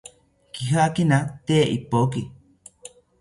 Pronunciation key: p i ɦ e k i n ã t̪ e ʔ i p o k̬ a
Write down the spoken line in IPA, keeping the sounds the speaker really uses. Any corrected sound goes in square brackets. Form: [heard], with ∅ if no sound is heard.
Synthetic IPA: [k] i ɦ [a] k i n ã t̪ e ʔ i p o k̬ [i]